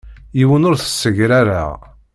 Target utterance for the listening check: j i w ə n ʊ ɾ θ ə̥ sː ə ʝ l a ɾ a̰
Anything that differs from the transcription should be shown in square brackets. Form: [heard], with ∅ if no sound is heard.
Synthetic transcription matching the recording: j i w ə n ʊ ɾ θ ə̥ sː ə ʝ [ɾ] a ɾ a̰